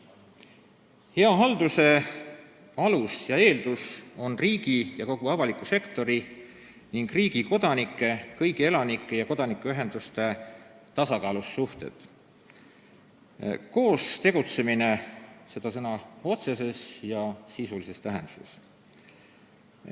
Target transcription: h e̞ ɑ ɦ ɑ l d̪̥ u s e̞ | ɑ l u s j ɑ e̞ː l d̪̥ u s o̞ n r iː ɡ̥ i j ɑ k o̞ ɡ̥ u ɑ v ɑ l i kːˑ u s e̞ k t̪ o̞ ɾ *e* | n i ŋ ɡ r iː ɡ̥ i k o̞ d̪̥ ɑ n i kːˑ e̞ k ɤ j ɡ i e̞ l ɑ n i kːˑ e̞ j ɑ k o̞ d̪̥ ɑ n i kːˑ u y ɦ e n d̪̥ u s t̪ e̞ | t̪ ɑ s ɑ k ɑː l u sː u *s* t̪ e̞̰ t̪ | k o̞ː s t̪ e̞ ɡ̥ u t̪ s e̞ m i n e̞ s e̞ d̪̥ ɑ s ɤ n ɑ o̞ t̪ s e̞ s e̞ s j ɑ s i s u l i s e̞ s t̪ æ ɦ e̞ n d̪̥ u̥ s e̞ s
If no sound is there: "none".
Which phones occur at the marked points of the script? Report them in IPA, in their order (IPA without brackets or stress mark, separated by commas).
i, h